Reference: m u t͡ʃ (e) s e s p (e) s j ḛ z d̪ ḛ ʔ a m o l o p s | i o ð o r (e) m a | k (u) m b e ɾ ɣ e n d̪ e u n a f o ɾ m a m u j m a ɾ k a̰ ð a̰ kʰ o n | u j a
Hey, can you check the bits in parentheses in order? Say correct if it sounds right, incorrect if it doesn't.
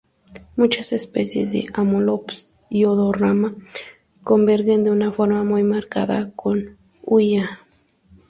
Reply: incorrect: a, correct, incorrect: a, incorrect: o

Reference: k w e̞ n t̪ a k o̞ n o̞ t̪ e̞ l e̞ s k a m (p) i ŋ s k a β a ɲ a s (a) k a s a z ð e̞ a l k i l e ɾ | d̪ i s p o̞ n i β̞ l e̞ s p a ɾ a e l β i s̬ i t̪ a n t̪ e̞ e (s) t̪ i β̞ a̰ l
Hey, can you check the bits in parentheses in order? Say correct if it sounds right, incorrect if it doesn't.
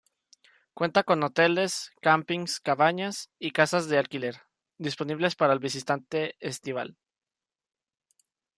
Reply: correct, incorrect: i, correct

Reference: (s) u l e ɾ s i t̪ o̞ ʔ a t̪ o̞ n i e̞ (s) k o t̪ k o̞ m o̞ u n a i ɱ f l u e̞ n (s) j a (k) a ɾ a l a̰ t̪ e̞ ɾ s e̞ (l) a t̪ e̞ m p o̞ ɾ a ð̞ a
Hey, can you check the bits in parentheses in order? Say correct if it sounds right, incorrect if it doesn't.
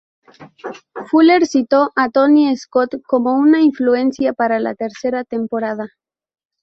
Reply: incorrect: f, correct, correct, incorrect: p, incorrect: ɾ

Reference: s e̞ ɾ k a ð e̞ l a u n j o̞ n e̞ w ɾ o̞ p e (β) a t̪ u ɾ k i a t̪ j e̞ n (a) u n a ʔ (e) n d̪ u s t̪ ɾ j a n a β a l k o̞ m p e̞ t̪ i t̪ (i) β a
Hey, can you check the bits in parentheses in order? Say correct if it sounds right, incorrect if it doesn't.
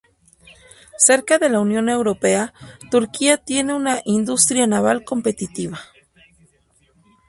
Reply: incorrect: none, incorrect: e, incorrect: i, correct

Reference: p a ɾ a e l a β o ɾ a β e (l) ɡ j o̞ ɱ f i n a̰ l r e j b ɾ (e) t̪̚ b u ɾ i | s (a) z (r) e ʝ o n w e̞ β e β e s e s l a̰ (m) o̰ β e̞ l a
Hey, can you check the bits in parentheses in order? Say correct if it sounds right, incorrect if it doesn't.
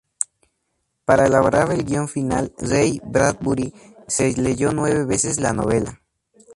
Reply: correct, incorrect: a, incorrect: e, incorrect: l, incorrect: n

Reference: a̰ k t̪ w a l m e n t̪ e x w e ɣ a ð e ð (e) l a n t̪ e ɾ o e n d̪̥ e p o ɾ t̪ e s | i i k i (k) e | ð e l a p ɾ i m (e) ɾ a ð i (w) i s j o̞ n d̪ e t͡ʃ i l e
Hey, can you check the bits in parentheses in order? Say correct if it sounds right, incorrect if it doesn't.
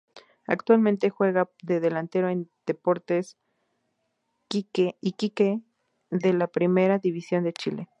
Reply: correct, correct, correct, incorrect: β

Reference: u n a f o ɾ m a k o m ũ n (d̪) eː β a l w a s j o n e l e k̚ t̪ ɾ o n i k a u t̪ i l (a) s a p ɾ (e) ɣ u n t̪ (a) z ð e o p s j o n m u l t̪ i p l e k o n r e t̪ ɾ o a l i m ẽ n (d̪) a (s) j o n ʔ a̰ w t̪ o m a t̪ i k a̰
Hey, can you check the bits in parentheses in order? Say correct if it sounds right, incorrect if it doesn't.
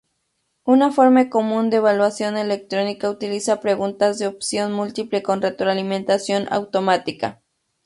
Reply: correct, incorrect: i, correct, correct, incorrect: t̪, correct

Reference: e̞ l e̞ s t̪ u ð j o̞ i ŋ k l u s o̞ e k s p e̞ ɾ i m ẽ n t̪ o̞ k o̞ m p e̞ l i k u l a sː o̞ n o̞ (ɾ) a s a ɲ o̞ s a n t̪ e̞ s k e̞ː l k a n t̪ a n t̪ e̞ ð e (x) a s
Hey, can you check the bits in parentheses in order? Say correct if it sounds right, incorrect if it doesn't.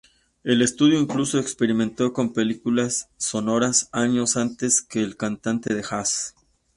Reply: correct, correct

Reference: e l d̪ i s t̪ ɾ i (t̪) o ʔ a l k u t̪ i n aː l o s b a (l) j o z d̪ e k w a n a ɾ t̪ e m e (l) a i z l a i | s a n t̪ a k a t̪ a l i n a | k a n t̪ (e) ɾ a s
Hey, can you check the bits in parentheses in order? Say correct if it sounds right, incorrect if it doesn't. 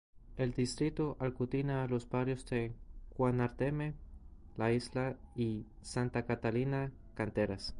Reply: correct, incorrect: ɾ, correct, correct

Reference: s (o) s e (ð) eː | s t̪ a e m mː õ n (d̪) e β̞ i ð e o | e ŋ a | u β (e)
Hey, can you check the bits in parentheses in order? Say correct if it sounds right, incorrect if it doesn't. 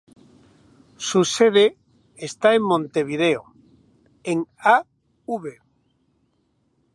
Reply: incorrect: u, correct, incorrect: t̪, correct

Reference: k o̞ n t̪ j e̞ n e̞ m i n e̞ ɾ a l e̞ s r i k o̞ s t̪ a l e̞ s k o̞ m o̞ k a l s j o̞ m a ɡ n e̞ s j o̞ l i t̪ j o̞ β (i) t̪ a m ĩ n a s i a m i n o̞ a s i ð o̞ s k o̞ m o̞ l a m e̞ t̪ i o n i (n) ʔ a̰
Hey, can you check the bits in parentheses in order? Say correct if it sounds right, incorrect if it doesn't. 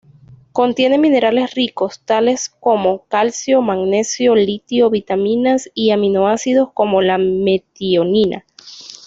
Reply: correct, correct

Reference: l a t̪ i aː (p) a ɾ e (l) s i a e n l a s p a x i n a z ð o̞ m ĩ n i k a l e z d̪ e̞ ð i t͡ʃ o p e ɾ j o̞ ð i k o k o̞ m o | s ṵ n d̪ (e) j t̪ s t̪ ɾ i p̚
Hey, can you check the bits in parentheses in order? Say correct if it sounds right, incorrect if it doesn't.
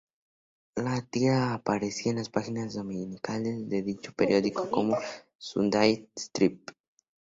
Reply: correct, incorrect: none, incorrect: a

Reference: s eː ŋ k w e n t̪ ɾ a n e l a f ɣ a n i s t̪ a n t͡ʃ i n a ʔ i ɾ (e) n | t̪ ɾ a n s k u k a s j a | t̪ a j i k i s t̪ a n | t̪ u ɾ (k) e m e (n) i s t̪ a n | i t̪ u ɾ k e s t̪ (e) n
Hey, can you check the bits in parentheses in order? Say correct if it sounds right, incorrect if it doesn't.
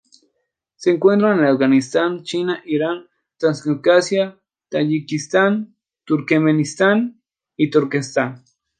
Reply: incorrect: a, correct, correct, incorrect: a

